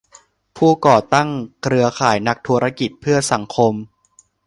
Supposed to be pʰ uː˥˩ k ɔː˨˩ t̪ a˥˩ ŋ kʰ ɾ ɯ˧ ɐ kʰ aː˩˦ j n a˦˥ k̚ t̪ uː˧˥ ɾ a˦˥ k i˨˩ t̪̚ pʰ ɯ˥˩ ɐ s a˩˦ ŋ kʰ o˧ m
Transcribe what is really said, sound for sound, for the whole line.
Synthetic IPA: pʰ uː˥˩ k ɔː˨˩ t̪ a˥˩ ŋ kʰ ɾ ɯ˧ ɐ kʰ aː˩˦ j n a˦˥ k̚ t̪ʰ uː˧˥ ɾ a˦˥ k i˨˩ t̪̚ pʰ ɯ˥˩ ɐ s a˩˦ ŋ kʰ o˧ m

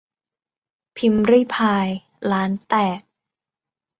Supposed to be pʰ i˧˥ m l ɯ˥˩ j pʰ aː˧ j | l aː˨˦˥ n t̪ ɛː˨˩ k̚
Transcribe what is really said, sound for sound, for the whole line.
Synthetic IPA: pʰ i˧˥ m ɾ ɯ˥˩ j pʰ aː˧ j | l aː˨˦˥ n t̪ ɛː˨˩ k̚

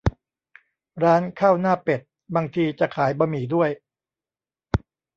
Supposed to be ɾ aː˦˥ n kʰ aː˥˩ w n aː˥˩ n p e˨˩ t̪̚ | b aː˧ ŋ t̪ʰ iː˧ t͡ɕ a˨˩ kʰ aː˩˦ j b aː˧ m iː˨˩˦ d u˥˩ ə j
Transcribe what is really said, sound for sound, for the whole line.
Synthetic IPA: ɾ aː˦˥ n kʰ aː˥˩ w n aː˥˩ p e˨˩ t̪̚ | b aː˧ ŋ t̪ʰ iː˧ t͡ɕ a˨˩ kʰ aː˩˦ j b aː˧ m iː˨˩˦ d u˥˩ ə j

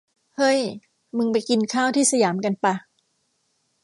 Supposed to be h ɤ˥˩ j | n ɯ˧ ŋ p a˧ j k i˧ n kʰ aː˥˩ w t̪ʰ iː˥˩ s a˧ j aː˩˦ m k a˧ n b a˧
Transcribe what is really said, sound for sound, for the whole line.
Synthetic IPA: h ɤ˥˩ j | m ɯ˧ ŋ p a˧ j k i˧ n kʰ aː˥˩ w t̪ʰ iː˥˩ s a˧ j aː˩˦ m k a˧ n p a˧

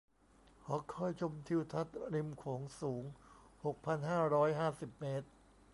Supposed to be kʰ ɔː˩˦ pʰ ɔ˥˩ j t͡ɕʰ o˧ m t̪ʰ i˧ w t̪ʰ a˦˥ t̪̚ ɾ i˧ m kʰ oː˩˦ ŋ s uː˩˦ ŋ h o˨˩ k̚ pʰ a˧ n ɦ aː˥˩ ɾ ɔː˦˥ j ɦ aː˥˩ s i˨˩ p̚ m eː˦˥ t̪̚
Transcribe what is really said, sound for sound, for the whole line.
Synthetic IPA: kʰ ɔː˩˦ kʰ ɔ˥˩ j t͡ɕʰ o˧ m t̪ʰ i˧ w t̪ʰ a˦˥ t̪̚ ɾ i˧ m kʰ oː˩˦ ŋ s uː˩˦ ŋ h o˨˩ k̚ pʰ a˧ n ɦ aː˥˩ ɾ ɔː˦˥ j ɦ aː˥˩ s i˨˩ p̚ m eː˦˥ t̪̚

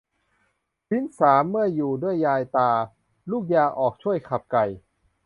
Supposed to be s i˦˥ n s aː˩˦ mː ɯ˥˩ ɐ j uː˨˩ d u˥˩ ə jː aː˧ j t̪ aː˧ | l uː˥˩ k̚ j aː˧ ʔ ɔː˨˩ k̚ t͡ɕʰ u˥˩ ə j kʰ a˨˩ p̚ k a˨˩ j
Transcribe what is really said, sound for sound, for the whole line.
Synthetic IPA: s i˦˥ n s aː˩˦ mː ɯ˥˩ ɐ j uː˨˩ d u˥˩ ə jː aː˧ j t̪ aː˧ | l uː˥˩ k̚ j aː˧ ʔ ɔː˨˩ k̚ t͡ɕʰ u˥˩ ə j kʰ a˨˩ p̚ k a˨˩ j

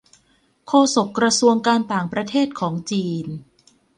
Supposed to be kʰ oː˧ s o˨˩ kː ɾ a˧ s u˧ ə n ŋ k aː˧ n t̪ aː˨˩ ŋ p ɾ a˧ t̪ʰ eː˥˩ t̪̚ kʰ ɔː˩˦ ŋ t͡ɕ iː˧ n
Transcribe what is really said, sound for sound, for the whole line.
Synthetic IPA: kʰ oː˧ s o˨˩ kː ɾ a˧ s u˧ ə ŋ k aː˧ n t̪ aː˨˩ ŋ p ɾ a˧ t̪ʰ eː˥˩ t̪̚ kʰ ɔː˩˦ ŋ t͡ɕ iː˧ n

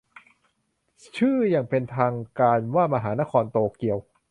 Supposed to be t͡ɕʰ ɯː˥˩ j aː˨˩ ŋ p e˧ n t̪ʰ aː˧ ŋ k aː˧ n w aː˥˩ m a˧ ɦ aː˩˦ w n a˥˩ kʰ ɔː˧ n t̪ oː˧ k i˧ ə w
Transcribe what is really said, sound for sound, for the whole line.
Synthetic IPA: t͡ɕʰ ɯː˥˩ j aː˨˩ ŋ p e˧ n t̪ʰ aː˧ ŋ k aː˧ n w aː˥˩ m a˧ ɦ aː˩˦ n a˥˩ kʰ ɔː˧ n t̪ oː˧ k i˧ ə w

